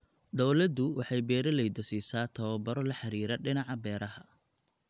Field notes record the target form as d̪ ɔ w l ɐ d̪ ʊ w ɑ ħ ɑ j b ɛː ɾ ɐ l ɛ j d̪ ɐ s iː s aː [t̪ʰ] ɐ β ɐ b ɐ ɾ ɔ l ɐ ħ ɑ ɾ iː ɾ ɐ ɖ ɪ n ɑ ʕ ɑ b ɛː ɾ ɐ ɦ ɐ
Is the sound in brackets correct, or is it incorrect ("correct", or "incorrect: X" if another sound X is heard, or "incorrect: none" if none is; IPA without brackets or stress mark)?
correct